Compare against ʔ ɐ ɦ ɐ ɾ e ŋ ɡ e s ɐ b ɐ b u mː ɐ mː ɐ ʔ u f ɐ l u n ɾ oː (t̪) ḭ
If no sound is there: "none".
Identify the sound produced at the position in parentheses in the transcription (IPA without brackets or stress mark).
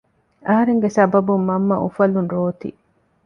t̪